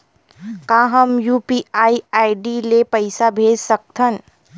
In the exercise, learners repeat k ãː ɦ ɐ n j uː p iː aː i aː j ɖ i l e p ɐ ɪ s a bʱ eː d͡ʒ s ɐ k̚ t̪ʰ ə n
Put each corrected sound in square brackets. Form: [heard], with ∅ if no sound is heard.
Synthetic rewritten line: k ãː ɦ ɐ [m] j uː p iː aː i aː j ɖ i l e p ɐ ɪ s a bʱ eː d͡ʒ s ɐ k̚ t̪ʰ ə n